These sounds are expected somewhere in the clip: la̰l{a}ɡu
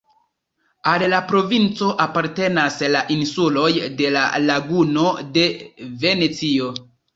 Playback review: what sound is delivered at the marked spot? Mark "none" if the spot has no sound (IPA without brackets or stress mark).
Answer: a